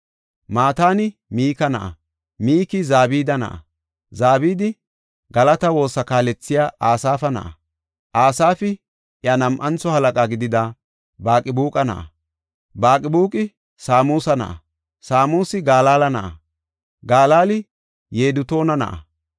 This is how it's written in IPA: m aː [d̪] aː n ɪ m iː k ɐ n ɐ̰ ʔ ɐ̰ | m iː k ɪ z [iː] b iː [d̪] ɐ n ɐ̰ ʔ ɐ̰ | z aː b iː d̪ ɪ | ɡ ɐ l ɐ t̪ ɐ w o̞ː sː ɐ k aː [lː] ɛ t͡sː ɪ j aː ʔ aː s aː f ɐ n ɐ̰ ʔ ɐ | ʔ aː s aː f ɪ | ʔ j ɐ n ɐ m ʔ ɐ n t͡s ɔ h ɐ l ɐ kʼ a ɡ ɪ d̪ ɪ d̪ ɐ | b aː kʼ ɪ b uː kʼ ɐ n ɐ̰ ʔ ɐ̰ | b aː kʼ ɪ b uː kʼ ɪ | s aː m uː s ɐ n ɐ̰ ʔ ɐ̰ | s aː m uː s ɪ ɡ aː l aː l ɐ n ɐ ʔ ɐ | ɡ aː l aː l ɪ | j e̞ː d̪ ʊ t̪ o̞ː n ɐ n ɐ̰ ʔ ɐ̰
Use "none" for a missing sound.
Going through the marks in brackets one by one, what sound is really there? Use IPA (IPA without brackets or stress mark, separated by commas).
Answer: t̪, aː, d̪, l